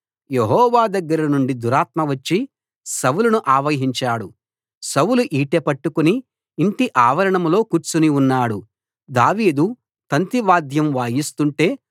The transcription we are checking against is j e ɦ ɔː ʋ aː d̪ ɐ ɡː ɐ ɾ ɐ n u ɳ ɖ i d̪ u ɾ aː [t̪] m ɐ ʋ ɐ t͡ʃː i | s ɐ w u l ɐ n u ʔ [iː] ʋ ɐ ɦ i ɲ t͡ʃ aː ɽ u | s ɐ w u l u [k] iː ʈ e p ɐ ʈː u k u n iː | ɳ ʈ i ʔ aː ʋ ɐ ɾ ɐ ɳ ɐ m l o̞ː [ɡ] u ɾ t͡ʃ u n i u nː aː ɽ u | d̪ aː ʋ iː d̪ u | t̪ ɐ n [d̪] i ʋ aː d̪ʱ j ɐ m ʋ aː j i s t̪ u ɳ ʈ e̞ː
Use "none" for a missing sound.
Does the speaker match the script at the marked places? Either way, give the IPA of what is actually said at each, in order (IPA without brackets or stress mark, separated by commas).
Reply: t̪, aː, ʔ, k, t̪